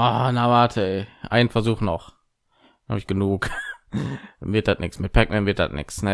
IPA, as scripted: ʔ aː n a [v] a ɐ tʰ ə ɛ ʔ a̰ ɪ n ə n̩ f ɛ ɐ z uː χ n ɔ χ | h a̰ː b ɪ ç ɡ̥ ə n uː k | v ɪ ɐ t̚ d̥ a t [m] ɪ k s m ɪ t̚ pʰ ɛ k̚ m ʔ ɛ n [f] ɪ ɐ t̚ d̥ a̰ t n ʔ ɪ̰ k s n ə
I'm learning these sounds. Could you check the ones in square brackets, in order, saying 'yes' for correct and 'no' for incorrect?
yes, no, no

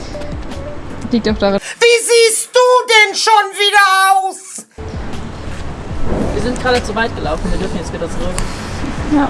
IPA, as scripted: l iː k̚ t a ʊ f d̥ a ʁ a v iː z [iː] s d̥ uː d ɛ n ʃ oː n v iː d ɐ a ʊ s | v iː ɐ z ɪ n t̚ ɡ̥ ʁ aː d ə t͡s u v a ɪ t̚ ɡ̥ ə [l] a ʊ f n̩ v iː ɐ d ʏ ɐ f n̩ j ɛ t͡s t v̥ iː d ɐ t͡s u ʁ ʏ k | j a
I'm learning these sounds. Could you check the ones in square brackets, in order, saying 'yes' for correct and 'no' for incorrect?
yes, yes

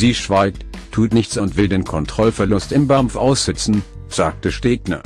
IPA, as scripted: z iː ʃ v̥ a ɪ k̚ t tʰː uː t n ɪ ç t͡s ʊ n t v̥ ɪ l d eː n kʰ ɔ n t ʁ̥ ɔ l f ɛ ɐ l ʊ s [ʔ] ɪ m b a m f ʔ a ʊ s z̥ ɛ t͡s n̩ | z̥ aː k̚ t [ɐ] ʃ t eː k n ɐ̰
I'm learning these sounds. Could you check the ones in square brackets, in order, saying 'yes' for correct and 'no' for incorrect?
no, no

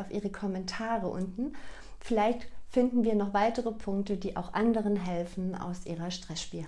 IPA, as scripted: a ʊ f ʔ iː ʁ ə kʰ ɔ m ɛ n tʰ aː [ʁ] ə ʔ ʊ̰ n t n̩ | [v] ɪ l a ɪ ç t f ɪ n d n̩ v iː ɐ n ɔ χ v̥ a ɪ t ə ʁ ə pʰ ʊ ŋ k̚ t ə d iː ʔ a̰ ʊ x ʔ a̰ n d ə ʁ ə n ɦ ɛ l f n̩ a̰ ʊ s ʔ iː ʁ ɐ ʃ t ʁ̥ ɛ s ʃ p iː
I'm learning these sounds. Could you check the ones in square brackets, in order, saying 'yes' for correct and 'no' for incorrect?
yes, no

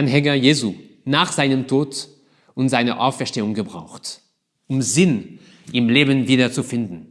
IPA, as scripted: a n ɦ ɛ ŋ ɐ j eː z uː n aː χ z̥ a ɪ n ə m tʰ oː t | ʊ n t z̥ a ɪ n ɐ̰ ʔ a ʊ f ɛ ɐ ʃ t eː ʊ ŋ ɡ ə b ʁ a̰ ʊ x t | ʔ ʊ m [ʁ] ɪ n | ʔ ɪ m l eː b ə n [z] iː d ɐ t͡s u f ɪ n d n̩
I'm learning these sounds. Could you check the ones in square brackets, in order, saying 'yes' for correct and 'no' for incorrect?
no, no

